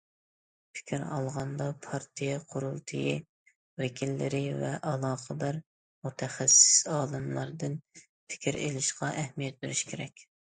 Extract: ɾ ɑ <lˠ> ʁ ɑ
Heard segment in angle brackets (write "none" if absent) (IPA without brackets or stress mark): lˠ